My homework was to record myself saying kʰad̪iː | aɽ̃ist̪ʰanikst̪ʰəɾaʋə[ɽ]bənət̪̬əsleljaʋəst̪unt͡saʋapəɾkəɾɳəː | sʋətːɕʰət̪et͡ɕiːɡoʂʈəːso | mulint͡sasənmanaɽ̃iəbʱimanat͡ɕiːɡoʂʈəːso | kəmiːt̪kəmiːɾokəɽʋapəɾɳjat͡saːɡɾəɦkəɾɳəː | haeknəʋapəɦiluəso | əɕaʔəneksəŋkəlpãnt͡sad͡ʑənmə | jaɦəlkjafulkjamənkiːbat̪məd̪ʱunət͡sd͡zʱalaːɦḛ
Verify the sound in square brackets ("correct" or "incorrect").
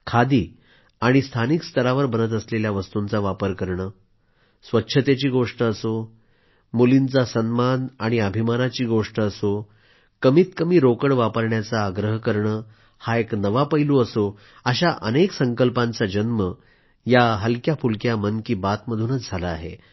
incorrect